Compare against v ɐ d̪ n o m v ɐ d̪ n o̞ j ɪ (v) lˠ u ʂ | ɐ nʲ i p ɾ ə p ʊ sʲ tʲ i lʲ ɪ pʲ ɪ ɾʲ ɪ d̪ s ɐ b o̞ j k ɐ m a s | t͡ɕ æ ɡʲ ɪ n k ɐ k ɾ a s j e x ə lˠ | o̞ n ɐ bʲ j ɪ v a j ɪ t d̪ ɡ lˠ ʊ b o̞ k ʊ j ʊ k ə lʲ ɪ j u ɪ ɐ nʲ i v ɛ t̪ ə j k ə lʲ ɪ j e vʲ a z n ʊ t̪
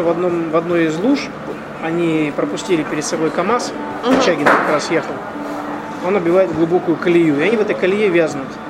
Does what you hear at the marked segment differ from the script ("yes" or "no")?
yes